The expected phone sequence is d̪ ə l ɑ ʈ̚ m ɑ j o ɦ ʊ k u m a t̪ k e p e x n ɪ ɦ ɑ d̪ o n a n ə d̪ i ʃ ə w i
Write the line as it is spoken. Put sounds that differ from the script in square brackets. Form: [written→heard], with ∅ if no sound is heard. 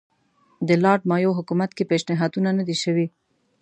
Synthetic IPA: d̪ ə l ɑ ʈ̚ m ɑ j o ɦ ʊ k u m a t̪ k e p e [x→ʃ] n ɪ ɦ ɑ d̪ [o→u] n a n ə d̪ i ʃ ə w i